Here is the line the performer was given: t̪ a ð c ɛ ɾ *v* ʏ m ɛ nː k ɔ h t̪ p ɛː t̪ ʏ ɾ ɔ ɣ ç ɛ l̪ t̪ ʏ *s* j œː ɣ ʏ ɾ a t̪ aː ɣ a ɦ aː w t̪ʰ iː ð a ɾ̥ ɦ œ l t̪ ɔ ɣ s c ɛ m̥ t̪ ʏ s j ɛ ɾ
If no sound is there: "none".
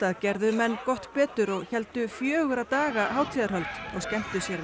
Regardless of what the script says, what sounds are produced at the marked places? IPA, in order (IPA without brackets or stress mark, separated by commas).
ð, f